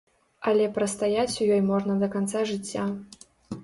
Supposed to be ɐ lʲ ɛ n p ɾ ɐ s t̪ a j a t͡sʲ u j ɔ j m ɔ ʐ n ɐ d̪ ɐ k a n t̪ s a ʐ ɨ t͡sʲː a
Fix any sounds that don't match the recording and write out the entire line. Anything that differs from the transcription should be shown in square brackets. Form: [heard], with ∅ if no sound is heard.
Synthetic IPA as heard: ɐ lʲ ɛ [∅] p ɾ ɐ s t̪ a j a t͡sʲ u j ɔ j m ɔ ʐ n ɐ d̪ ɐ k a n t̪ s a ʐ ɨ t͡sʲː a